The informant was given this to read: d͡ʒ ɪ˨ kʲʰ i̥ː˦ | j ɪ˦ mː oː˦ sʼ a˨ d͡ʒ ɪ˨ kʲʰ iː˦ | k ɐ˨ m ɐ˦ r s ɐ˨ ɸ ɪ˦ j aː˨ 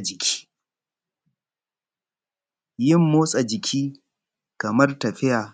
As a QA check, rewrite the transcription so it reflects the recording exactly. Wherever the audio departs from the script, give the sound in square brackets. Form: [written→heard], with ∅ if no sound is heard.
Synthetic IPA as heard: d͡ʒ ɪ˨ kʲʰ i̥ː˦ | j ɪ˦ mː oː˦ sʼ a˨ d͡ʒ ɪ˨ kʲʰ iː˦ | k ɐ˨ m ɐ˦ r [s→t] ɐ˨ ɸ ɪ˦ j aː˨